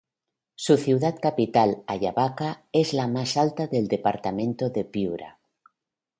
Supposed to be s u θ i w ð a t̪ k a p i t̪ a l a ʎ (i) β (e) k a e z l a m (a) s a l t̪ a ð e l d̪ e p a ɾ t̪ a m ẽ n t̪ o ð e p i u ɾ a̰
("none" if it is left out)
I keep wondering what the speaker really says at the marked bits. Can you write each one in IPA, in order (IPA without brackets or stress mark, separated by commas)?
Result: a, a, a